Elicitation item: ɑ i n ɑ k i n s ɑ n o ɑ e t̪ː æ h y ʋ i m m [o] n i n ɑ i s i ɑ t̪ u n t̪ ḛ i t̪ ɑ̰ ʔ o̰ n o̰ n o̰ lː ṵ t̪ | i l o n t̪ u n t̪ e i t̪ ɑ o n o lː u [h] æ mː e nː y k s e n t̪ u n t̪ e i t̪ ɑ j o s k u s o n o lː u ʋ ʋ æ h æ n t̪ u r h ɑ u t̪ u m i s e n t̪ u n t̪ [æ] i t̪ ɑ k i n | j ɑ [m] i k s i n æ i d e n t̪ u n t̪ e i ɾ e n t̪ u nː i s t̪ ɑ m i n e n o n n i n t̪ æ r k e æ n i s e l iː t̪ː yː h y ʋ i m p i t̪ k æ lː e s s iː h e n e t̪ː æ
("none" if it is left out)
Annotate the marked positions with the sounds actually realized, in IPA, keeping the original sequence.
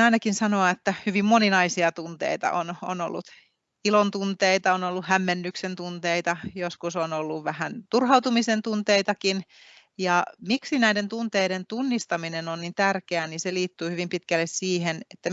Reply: o, h, e, m

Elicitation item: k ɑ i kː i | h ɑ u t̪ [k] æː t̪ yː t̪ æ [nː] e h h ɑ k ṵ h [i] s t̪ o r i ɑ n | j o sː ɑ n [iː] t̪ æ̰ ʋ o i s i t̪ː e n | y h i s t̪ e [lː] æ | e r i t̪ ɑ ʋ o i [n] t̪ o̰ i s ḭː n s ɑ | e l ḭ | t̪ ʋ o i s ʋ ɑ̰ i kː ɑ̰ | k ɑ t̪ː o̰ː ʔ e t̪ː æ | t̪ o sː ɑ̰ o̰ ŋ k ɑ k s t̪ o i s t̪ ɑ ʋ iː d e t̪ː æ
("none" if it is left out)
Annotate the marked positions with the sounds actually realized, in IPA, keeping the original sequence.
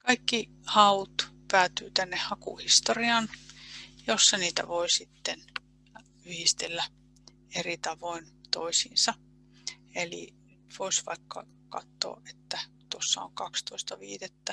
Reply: p, nː, i, iː, lː, n

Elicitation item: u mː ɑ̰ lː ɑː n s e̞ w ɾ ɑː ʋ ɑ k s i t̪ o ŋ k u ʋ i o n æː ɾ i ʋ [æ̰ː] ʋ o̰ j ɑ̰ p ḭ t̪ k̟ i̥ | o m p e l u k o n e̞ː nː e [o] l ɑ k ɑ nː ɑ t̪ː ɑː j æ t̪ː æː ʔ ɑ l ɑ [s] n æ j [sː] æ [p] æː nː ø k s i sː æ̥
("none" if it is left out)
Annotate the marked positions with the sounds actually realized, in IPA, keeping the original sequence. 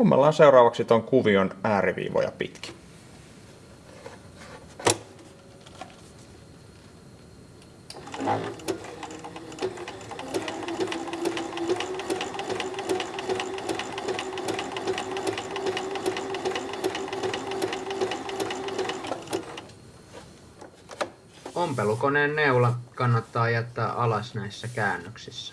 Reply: ḭː, u, s, sː, k

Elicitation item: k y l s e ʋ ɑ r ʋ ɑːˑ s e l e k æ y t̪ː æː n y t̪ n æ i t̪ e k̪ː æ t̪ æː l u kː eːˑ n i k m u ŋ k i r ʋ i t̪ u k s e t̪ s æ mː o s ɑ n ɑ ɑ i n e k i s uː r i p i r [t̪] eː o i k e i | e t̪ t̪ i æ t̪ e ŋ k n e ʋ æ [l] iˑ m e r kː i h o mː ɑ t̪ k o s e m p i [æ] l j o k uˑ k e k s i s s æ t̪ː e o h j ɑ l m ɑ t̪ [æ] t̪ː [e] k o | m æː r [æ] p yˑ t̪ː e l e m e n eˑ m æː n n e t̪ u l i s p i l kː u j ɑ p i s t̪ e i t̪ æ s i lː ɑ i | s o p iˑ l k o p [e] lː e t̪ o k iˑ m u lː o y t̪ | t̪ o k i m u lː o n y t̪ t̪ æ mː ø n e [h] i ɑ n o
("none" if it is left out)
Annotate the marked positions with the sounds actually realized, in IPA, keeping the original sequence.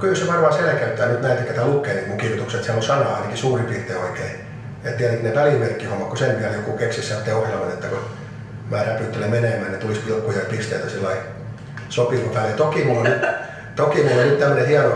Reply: t̪, l, æ, e, æ, æ, æ, h

